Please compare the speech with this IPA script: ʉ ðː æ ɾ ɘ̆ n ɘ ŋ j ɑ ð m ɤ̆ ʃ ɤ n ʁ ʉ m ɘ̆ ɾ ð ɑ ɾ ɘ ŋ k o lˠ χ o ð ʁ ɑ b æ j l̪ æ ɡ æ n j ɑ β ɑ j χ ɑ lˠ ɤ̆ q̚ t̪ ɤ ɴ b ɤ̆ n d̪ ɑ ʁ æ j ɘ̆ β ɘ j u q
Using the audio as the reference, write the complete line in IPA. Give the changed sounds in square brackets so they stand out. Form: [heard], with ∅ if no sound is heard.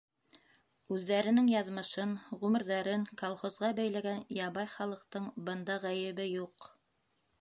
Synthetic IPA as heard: ʉ ðː æ ɾ ɘ̆ n ɘ ŋ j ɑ ð m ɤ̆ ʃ ɤ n ʁ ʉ m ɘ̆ ɾ ð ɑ ɾ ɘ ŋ k o lˠ χ o [z] ʁ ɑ b æ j l̪ æ ɡ æ n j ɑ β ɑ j χ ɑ lˠ ɤ̆ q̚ t̪ ɤ ɴ b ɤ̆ n d̪ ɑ ʁ æ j ɘ̆ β ɘ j u q